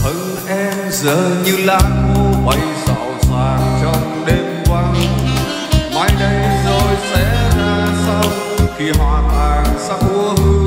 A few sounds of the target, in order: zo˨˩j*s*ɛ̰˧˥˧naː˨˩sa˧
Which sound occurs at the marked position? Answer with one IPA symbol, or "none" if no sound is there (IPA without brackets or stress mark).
s